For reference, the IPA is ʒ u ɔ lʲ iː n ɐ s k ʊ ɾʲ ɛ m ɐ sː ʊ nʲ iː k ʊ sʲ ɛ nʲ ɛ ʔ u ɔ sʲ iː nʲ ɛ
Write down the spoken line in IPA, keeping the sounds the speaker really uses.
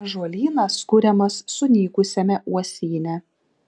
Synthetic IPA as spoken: ʒ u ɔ lʲ iː n ɐ s k ʊ ɾʲ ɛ m ɐ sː ʊ nʲ iː k ʊ sʲ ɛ mʲ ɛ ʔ u ɔ sʲ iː nʲ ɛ